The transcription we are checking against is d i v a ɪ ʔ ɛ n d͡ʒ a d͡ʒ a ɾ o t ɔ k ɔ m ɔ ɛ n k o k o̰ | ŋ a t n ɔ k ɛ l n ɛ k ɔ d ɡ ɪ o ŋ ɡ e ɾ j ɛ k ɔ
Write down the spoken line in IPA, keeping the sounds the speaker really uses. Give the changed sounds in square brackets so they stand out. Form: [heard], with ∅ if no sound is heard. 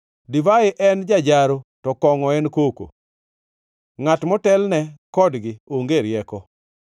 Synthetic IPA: d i v a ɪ ʔ ɛ n d͡ʒ a d͡ʒ a ɾ o t ɔ k ɔ [ŋ] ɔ ɛ n k o k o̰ | ŋ a t [m] ɔ [t] ɛ l n ɛ k ɔ d ɡ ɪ o ŋ ɡ e ɾ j ɛ k ɔ

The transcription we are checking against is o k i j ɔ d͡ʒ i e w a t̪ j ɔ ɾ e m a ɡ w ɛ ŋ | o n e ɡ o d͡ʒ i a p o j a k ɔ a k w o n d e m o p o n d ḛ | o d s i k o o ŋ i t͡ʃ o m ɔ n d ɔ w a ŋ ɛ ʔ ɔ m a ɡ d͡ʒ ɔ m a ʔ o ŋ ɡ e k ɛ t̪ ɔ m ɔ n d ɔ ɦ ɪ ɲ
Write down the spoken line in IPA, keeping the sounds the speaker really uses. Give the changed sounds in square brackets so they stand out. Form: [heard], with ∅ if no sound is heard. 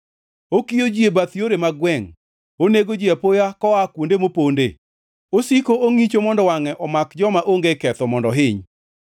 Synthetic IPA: o k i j [o] d͡ʒ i e [b] a t̪ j [o] ɾ e m a ɡ w ɛ ŋ | o n e ɡ o d͡ʒ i a p o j a k ɔ a k w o n d e m o p o n d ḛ | o [∅] s i k o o ŋ i t͡ʃ o m ɔ n d ɔ w a ŋ ɛ ʔ ɔ m a [k] d͡ʒ ɔ m a ʔ o ŋ ɡ e k ɛ t̪ ɔ m ɔ n d ɔ ɦ ɪ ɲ

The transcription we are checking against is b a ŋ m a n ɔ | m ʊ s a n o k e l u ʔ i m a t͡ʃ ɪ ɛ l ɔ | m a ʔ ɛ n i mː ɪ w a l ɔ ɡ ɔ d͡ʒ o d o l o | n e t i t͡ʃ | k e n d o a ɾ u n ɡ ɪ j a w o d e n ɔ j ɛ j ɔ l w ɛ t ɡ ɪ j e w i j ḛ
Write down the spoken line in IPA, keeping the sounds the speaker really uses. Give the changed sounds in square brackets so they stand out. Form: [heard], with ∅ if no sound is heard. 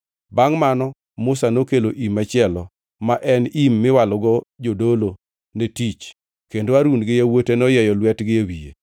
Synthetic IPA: b a ŋ m a n ɔ | m ʊ s a n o k e l [o] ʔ i m a t͡ʃ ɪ ɛ l ɔ | m a ʔ ɛ n i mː ɪ w a l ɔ ɡ ɔ d͡ʒ o d o l o | n e t i t͡ʃ | k e n d o a ɾ u n ɡ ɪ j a w o [t] e n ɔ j ɛ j ɔ l w ɛ t ɡ ɪ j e w i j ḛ

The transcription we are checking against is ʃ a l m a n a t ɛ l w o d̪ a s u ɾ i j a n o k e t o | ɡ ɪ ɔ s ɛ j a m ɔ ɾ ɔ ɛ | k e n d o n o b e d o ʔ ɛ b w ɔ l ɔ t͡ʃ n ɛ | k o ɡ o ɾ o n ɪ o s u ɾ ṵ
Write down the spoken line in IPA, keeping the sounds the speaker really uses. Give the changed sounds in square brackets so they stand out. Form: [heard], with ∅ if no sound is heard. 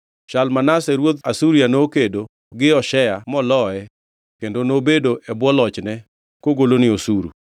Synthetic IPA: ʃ a l m a n a [s] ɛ [ɾ] w o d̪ a s u ɾ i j a n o k e [d] o | ɡ ɪ ɔ [ʃ] ɛ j a m ɔ [l] ɔ ɛ | k e n d o n o b e d o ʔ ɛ b w ɔ l ɔ t͡ʃ n ɛ | k o ɡ o [l] o n ɪ o s u ɾ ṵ

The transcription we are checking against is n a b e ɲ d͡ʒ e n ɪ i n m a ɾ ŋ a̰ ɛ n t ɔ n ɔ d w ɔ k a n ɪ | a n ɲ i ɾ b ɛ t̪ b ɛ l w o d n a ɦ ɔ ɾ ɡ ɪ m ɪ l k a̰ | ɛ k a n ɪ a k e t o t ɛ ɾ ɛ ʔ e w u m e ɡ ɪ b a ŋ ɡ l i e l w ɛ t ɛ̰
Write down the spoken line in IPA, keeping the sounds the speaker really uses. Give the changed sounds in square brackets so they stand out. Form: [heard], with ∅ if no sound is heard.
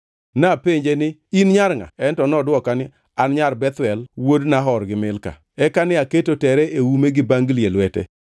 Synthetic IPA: n a [p] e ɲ d͡ʒ e n ɪ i n [ɲ] a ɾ ŋ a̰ ɛ n t ɔ n ɔ d w ɔ k a n ɪ | a n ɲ [a] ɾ b ɛ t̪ [w] ɛ l w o d n a ɦ ɔ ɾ ɡ ɪ m ɪ l k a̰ | ɛ k a n ɪ a k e t o t ɛ ɾ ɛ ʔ e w u m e ɡ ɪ b a ŋ ɡ l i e l w ɛ t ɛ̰

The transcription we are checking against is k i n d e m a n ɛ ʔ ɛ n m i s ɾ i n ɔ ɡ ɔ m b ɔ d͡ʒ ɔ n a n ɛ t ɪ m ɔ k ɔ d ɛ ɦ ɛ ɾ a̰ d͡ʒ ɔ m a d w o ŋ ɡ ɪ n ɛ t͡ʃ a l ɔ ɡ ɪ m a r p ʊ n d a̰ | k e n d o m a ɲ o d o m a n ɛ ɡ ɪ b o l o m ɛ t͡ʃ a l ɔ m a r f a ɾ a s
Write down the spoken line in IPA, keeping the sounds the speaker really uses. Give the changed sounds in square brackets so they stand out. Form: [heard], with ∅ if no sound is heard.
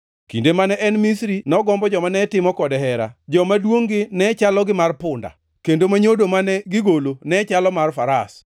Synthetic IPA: k i n d e m a n ɛ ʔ ɛ n m i s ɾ i n ɔ ɡ ɔ m b ɔ d͡ʒ ɔ [m] a n ɛ t ɪ m ɔ k ɔ d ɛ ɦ ɛ ɾ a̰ d͡ʒ ɔ m a d w o ŋ ɡ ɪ n ɛ t͡ʃ a l ɔ ɡ ɪ m a r p ʊ n d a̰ | k e n d o m a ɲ o d o m a n ɛ ɡ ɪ [ɡ] o l o [n] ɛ t͡ʃ a l ɔ m a r f a ɾ a s

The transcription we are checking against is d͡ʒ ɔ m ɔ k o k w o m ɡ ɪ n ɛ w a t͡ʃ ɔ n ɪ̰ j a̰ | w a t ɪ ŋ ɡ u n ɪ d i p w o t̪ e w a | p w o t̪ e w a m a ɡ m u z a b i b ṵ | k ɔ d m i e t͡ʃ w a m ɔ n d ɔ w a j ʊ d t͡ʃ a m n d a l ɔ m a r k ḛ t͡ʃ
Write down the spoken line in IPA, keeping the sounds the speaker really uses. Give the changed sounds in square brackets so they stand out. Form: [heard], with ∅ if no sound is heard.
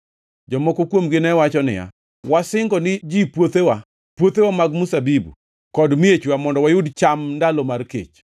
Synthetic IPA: d͡ʒ ɔ m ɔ k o k w o m ɡ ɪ n ɛ w a t͡ʃ ɔ n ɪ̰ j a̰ | w a [s] ɪ ŋ ɡ [ɔ] n ɪ [d͡ʒ] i p w o t̪ e w a | p w o t̪ e w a m a ɡ m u [s] a b i b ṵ | k ɔ d m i e t͡ʃ w a m ɔ n d ɔ w a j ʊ d t͡ʃ a m n d a l ɔ m a r k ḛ t͡ʃ

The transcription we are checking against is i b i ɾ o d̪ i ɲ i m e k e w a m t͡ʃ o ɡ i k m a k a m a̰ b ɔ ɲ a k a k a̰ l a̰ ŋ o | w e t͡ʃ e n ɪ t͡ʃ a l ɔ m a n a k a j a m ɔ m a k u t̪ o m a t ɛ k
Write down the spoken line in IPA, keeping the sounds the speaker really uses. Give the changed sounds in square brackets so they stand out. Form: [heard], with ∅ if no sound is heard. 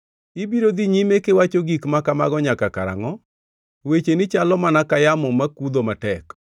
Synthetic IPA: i b i ɾ o d̪ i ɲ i m e k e w a [∅] t͡ʃ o ɡ i k m a k a m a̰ [ɡ] ɔ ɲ a k a k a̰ [ɾ] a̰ ŋ [ɔ] | w e t͡ʃ e n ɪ t͡ʃ a l ɔ m a n a k a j a m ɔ m a k u [d̪] o m a t ɛ k

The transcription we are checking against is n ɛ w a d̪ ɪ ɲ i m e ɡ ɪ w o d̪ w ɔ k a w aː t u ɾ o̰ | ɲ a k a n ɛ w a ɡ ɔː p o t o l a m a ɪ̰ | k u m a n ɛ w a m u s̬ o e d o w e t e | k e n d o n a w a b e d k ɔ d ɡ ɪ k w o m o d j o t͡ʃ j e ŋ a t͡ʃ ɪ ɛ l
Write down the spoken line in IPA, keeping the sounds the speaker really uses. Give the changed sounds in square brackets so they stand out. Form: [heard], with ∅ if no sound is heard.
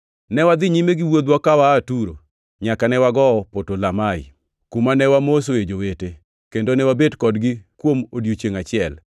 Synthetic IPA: n ɛ w a d̪ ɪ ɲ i m e ɡ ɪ w o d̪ w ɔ k a w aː t u ɾ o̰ | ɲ a k a n ɛ w a ɡ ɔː p o t o l a m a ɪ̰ | k u m a n ɛ w a m [o] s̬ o e [d͡ʒ] o w e t e | k e n d o n [ɛ] w a b e d k ɔ d ɡ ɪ k w o m o d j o t͡ʃ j e ŋ a t͡ʃ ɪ ɛ l

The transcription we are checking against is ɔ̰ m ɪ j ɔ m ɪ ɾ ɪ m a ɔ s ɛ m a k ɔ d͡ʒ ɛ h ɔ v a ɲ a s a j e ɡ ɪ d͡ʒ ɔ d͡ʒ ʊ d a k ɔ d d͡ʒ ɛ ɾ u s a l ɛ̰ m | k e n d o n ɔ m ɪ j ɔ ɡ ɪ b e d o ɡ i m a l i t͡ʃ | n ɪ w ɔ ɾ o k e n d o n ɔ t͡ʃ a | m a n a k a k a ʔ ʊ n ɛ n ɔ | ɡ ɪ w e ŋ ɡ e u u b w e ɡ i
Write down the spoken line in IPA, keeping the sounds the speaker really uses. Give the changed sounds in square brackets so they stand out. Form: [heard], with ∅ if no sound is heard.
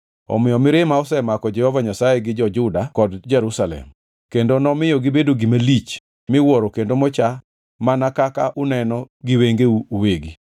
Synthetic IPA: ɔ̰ m ɪ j ɔ m ɪ ɾ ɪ m a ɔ s ɛ m a k ɔ d͡ʒ ɛ h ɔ v a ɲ a s a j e ɡ ɪ d͡ʒ ɔ d͡ʒ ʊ d a k ɔ d d͡ʒ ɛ ɾ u s a l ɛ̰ m | k e n d o n ɔ m ɪ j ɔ ɡ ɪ b e d o ɡ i m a l i t͡ʃ | [m] ɪ w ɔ ɾ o k e n d o [m] ɔ t͡ʃ a | m a n a k a k a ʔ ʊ n ɛ n ɔ | ɡ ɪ w e ŋ ɡ e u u [∅] w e ɡ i

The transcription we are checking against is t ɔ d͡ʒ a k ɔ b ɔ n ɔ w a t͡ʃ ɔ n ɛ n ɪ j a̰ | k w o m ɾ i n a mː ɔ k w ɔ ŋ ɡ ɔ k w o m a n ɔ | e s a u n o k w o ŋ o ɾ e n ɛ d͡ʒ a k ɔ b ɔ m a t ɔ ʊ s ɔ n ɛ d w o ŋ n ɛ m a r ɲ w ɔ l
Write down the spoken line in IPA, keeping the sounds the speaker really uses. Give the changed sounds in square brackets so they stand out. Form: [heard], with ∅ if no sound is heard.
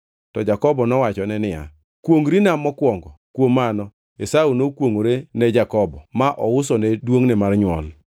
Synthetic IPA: t ɔ d͡ʒ a k ɔ b ɔ n ɔ w a t͡ʃ ɔ n ɛ n ɪ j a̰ | k w o [ŋ] ɾ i n a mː ɔ k w ɔ ŋ ɡ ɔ k w o m a n ɔ | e s a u n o k w o ŋ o ɾ e n ɛ d͡ʒ a k ɔ b ɔ m a [ʔ] ɔ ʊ s ɔ n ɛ d w o ŋ n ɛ m a r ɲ w ɔ l

